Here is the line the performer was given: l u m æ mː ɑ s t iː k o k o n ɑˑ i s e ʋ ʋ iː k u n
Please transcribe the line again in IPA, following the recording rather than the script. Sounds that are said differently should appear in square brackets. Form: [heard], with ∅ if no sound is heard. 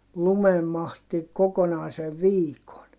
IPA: l u m [e] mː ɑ [h] t [i] k o k o n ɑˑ i s e ʋ ʋ iː k [o] n